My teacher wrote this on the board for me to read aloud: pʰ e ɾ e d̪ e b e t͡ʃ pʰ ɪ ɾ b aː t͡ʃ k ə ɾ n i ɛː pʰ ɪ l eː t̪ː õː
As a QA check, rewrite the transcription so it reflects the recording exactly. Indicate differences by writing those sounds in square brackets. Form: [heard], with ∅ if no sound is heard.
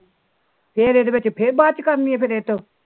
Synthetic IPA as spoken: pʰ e ɾ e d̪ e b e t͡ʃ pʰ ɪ ɾ b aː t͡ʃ k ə ɾ n i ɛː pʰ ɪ [ɾ] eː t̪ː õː

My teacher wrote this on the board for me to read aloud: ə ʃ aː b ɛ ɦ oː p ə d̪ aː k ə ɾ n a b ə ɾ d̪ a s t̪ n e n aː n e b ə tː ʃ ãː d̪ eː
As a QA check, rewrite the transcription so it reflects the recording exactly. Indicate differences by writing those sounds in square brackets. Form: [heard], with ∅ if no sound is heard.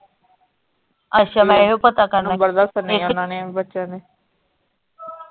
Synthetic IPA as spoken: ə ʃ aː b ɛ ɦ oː p ə [t̪] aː k ə ɾ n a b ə ɾ d̪ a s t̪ n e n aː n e b ə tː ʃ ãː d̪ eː

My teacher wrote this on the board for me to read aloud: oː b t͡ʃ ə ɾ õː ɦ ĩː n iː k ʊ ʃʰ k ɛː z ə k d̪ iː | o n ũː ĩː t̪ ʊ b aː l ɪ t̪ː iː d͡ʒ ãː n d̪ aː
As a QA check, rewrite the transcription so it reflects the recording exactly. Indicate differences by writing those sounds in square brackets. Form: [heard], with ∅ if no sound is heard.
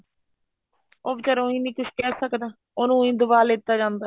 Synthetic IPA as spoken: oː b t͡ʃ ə ɾ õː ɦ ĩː n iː k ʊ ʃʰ k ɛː [s] ə k d̪ [aː] | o n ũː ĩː [d̪] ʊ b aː l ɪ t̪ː [aː] d͡ʒ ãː n d̪ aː

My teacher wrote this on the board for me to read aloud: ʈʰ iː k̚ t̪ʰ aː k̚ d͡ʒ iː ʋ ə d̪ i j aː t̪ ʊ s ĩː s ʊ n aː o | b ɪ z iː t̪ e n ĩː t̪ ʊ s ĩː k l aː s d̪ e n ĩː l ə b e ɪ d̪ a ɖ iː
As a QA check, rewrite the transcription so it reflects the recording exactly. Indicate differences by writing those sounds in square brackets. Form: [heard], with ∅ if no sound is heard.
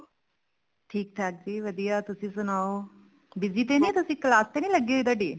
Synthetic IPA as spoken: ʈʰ iː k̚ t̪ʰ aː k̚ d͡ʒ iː ʋ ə d̪ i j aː t̪ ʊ s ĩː s ʊ n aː o | b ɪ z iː t̪ e n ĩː t̪ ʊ s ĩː k l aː s [t̪] e n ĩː l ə [ɡ] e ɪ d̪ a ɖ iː

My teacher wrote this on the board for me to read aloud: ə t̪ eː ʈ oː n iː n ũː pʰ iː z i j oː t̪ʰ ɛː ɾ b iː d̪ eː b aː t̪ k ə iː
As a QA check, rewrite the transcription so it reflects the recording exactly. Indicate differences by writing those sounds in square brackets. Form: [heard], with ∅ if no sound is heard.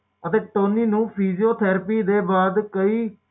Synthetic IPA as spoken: ə t̪ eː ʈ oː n iː n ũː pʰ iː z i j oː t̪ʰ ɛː ɾ [p] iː d̪ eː b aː [d̪] k ə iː

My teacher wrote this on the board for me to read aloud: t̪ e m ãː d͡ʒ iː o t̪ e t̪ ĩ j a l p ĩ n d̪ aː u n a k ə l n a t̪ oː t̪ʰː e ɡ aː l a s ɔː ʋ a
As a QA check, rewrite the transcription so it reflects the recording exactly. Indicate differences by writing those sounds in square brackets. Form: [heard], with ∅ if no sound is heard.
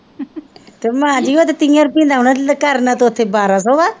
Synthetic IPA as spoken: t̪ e m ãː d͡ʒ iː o t̪ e t̪ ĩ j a [ɾ] p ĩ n d̪ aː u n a k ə [ɾ] n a t̪ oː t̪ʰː e [b] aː [ɾ] a s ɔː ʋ a

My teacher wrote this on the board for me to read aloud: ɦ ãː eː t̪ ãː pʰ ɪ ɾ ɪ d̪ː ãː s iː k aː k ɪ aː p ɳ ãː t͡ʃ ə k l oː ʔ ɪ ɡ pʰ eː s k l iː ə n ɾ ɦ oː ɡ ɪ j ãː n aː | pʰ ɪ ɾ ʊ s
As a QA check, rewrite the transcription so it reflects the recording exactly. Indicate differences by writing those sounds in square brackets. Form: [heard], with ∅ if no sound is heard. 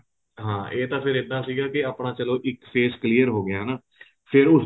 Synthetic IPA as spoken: ɦ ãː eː t̪ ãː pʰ ɪ ɾ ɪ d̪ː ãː s iː [ɡ] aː k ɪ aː p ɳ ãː t͡ʃ ə [∅] l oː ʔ ɪ [k] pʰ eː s k l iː ə [∅] ɾ ɦ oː ɡ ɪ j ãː n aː | pʰ ɪ ɾ ʊ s

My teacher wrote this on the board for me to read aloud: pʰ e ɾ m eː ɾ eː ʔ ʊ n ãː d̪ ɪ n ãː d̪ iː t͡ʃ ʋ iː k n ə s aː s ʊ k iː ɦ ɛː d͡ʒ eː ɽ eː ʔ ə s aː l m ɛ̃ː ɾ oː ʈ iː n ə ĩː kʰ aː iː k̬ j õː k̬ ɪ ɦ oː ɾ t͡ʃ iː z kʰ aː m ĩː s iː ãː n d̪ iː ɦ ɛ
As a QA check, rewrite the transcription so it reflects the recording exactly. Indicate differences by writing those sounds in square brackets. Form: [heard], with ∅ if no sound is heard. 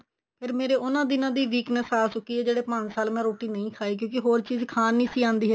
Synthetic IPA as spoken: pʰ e ɾ m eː ɾ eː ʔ ʊ n ãː d̪ ɪ n ãː d̪ iː [∅] ʋ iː k n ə s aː s ʊ k iː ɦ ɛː d͡ʒ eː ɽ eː [p] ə s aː l m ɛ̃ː ɾ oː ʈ iː n ə ĩː kʰ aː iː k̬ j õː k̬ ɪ ɦ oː ɾ t͡ʃ iː z kʰ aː [n] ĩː s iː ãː n d̪ iː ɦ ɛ

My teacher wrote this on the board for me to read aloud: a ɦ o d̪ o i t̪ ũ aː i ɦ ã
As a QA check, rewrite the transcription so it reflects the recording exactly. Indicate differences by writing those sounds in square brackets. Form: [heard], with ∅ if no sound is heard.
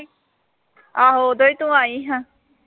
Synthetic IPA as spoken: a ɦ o d̪ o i t̪ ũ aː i ɦ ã

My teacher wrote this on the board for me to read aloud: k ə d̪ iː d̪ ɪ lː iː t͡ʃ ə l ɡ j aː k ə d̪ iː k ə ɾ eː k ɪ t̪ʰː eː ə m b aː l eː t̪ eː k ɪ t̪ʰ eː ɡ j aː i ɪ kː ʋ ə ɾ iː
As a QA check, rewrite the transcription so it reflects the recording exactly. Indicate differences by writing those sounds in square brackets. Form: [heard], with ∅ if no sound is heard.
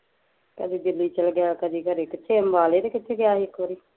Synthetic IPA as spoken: k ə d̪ iː d̪ ɪ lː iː t͡ʃ ə l ɡ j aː k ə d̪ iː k ə ɾ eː k ɪ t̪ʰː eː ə m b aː l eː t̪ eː k ɪ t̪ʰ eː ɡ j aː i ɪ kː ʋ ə ɾ iː

